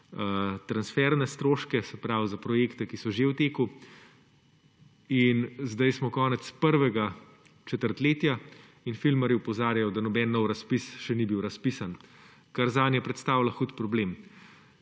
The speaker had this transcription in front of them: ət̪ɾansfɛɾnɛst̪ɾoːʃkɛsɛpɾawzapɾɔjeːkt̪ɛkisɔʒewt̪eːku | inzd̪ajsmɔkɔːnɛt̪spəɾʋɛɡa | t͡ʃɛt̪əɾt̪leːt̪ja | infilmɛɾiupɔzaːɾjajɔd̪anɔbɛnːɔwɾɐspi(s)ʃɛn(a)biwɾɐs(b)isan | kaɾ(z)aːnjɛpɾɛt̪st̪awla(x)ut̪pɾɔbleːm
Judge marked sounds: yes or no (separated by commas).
yes, no, no, yes, yes